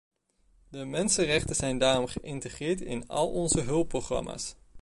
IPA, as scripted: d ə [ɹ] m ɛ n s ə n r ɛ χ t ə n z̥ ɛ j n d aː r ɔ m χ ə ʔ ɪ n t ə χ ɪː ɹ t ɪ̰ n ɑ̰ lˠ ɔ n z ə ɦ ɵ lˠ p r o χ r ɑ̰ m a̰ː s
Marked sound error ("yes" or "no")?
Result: yes